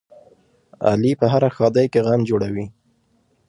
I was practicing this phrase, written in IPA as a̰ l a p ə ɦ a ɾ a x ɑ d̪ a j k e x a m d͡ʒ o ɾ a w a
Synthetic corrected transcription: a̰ l i p ə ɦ a ɾ a x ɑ d̪ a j k e ɣ a m d͡ʒ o ɽ a w i